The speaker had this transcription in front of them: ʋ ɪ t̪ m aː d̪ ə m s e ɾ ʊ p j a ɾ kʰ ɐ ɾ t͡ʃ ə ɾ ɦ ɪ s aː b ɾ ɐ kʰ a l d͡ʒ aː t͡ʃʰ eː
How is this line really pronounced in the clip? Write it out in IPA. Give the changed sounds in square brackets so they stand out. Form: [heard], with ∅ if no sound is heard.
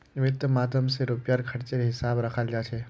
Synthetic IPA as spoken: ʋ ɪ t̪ m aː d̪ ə m s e ɾ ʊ p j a ɾ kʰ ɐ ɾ t͡ʃ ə ɾ ɦ ɪ s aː b ɾ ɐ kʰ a l d͡ʒ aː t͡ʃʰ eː